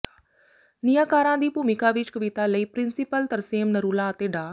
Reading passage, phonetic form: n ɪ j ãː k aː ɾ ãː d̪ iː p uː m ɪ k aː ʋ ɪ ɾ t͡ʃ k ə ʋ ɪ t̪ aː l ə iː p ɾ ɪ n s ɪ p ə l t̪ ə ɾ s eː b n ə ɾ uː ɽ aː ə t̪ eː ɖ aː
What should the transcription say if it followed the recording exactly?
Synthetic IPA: n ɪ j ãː k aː ɾ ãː d̪ iː p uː m ɪ k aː ʋ ɪ t͡ʃ k ə ʋ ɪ t̪ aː l ə iː p ɾ ɪ n s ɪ p ə l t̪ ə ɾ s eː m n ə ɾ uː l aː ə t̪ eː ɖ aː